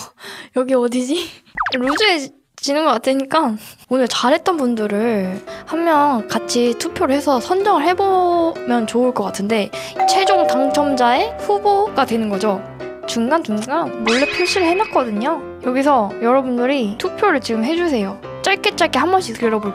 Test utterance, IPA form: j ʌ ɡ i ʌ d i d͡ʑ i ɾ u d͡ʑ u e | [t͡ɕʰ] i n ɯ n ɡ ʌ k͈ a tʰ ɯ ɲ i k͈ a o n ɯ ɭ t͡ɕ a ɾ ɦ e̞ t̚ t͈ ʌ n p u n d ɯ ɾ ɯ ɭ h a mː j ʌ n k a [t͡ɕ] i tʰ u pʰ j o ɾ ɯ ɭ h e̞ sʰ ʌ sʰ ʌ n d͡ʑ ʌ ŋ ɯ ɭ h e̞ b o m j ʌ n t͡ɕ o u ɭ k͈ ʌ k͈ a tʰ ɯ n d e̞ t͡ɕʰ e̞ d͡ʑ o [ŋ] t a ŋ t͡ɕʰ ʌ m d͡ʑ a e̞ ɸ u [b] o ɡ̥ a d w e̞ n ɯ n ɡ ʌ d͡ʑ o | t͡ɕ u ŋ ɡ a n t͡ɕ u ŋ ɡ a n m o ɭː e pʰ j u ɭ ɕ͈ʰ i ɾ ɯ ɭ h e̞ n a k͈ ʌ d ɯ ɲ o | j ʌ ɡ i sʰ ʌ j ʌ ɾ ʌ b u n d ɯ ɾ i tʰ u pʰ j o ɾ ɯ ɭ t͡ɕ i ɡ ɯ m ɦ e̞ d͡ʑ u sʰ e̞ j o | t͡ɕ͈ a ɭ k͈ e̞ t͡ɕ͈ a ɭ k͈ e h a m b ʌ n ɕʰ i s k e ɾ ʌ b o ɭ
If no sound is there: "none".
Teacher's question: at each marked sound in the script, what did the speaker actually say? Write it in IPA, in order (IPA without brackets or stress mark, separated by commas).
t͡ɕ, t͡ɕʰ, ŋ, b